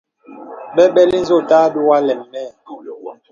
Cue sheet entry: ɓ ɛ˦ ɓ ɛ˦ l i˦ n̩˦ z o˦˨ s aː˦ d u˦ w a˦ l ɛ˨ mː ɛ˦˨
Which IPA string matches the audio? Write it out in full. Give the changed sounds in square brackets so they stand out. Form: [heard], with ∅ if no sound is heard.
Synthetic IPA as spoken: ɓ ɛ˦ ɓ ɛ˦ l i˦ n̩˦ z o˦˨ [t] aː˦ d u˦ w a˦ l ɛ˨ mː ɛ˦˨